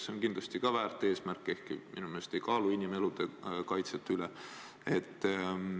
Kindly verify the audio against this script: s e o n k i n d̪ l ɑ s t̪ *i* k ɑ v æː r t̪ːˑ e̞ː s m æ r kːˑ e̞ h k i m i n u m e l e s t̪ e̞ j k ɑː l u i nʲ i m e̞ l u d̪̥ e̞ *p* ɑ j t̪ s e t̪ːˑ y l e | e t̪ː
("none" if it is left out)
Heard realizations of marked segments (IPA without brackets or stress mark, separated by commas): i, k